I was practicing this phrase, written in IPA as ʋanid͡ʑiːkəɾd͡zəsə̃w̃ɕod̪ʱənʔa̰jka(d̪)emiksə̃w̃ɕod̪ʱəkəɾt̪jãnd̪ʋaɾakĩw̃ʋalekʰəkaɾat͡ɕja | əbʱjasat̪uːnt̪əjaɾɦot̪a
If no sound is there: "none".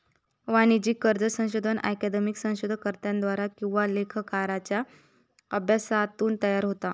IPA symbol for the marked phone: d̪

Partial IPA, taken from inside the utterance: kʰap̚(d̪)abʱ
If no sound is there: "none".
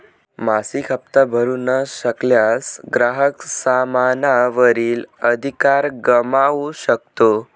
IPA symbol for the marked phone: t̪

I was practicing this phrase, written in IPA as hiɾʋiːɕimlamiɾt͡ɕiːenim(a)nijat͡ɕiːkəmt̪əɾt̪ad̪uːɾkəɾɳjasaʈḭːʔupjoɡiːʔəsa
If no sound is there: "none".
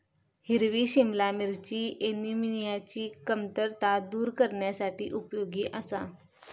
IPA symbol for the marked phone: i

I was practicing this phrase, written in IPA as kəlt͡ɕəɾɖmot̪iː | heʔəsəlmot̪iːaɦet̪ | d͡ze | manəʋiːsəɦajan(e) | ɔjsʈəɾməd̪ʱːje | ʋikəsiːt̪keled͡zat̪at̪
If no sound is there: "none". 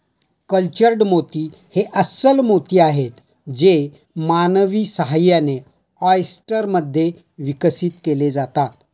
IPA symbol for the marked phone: e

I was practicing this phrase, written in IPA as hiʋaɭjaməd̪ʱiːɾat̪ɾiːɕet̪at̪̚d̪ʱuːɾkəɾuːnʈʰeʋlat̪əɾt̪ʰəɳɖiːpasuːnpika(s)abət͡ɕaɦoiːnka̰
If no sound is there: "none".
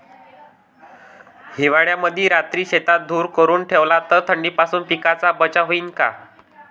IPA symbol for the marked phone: t͡s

